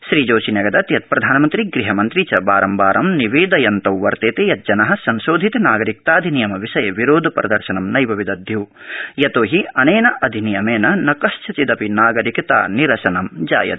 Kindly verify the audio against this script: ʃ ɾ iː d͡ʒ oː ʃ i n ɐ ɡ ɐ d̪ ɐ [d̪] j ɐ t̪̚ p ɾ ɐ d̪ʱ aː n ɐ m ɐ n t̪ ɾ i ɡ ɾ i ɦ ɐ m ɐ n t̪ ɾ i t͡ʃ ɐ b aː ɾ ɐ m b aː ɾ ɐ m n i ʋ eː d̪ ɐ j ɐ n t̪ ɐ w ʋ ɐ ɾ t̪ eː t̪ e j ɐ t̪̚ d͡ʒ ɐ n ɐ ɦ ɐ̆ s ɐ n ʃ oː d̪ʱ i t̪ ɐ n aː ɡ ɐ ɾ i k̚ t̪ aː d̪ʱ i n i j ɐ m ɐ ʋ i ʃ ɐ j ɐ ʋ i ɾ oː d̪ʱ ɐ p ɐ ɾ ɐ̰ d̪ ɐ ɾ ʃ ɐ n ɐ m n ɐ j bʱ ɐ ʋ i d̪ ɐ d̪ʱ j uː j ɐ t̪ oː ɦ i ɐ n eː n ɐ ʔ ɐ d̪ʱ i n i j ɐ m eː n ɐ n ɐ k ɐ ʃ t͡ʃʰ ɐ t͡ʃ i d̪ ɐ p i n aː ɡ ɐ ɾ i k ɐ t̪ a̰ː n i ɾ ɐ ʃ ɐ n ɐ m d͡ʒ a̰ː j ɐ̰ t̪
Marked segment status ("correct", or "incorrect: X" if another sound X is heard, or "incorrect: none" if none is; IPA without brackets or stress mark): incorrect: t̪